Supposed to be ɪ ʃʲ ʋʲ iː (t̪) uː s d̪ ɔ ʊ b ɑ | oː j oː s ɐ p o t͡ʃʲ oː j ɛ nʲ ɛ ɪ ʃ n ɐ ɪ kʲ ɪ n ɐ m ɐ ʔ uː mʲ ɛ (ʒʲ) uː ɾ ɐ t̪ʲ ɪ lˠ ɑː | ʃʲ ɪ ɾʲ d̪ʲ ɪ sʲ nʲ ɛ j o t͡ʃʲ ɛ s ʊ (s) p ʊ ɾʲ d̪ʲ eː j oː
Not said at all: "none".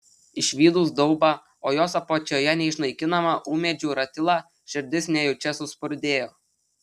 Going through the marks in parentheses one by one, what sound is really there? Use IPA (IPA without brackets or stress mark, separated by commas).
d̪, d͡ʒʲ, s